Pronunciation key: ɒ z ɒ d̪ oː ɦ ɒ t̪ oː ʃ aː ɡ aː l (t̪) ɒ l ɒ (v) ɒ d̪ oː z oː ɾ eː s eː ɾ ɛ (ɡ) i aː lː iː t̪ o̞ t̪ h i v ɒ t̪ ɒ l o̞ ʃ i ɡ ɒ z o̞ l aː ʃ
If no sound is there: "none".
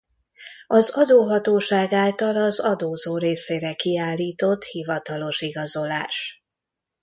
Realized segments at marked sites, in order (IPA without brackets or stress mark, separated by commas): t̪, z, k